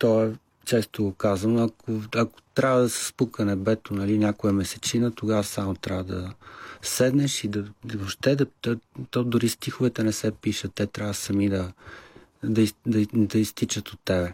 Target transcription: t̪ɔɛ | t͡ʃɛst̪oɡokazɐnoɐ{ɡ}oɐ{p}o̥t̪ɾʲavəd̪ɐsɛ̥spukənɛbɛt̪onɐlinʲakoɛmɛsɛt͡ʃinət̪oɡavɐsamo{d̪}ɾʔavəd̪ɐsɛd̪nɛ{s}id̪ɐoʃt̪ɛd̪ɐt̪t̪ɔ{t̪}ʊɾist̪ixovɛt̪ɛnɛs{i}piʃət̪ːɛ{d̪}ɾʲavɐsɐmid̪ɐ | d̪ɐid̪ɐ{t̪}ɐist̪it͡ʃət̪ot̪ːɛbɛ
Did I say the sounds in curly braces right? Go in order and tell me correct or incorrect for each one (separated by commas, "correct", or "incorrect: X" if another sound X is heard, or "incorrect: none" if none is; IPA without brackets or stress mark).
incorrect: k, incorrect: k, incorrect: t̪, incorrect: ʃ, incorrect: d̪, incorrect: ɛ, incorrect: t̪, incorrect: d̪